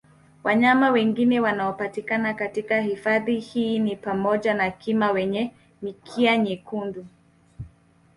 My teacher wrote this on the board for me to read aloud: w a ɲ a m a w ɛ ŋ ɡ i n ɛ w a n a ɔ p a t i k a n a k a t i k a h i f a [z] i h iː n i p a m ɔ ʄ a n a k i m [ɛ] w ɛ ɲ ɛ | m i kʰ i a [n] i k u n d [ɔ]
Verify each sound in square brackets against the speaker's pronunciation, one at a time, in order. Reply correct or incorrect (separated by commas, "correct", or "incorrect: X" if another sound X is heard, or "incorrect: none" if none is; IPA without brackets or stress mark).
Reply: incorrect: ð, incorrect: a, incorrect: ɲ, incorrect: u